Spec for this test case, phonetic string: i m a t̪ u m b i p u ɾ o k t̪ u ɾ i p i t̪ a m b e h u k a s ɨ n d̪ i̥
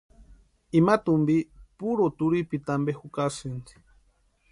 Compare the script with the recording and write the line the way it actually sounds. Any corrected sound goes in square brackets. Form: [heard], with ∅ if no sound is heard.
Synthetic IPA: i m a t̪ u m b i p u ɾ o [∅] t̪ u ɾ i p i t̪ a m b e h u k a s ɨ n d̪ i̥